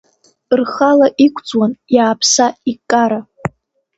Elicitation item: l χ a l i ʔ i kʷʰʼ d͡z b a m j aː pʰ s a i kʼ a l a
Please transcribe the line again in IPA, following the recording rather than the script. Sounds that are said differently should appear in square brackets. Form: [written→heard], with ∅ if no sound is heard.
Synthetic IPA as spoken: [l→r] χ a l [i→a] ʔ i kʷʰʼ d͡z [b→w] a [m→n] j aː pʰ s a i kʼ a [l→ɾ] a